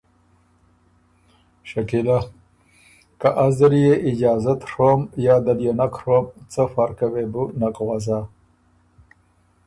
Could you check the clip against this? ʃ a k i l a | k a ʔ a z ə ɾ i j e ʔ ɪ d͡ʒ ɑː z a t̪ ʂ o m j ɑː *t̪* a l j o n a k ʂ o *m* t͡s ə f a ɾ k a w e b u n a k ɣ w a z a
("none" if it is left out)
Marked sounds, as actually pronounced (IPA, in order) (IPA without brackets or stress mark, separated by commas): d̪, m